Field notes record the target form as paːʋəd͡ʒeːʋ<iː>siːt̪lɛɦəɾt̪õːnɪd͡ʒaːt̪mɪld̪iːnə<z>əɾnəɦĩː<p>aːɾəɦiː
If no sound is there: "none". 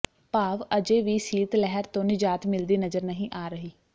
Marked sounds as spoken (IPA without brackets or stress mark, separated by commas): iː, z, ʔ